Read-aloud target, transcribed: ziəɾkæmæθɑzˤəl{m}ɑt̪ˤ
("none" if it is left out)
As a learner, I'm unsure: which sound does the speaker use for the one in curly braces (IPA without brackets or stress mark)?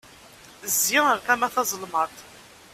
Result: m